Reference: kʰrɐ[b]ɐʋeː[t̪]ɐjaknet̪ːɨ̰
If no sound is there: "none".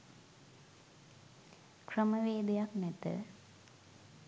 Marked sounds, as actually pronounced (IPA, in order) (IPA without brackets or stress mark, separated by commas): m, d̪